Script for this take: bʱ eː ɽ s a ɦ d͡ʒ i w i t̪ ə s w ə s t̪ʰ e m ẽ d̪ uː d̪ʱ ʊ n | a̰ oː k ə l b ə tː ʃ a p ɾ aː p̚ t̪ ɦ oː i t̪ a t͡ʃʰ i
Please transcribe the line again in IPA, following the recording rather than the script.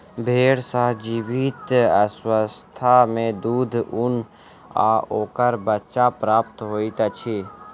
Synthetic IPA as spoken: bʱ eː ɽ s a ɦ d͡ʒ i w i t̪ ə s w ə s t̪ʰ a m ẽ d̪ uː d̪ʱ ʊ n | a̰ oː k ə ɾ b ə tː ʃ a p ɾ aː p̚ t̪ ɦ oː i t̪ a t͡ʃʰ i